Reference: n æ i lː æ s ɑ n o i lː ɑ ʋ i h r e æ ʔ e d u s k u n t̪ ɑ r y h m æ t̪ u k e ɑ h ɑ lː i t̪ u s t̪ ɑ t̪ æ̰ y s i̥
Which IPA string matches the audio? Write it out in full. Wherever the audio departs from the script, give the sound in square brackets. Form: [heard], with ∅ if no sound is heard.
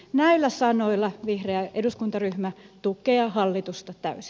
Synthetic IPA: n æ i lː æ s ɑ n o i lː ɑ ʋ i h r e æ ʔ e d u s k u n t̪ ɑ r y h m æ t̪ u k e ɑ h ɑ lː i t̪ u s t̪ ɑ t̪ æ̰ y s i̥